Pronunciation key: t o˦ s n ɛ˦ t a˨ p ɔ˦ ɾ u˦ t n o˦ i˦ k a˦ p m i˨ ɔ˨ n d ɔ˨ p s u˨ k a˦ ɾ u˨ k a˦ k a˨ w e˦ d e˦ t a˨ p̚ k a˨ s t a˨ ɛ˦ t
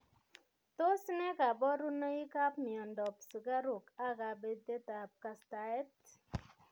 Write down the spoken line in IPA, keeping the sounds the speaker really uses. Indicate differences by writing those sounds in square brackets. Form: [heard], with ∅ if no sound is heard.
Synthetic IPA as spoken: t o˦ s n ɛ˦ [k] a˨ [b] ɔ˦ ɾ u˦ [∅] n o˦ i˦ k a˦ p m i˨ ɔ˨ n d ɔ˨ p s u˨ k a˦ ɾ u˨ k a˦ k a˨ [b] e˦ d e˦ t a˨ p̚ k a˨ s t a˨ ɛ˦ t